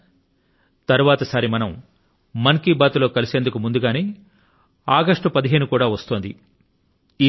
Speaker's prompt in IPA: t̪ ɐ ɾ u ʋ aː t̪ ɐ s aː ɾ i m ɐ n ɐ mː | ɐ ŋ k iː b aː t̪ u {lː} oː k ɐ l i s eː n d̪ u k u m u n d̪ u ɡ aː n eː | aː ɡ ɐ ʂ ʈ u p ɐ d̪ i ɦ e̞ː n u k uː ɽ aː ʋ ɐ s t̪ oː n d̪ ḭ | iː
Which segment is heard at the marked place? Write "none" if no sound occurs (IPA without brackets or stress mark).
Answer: l